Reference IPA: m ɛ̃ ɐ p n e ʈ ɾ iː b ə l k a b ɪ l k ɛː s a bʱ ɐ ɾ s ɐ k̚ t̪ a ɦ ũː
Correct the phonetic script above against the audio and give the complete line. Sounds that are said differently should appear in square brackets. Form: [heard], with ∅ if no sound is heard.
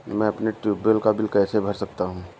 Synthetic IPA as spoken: m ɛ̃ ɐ p n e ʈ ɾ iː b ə l k a b ɪ l k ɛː s [e] bʱ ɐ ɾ s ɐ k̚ t̪ a ɦ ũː